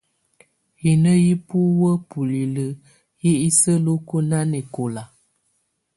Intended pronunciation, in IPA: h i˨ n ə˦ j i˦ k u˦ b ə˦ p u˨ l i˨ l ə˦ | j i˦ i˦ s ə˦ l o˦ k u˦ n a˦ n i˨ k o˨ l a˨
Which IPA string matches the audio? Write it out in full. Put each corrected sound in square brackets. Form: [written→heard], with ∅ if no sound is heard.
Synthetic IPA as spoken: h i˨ n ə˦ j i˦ [k→p] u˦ [b→w] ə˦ p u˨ l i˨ l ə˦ | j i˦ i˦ s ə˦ l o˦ k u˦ n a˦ n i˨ k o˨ l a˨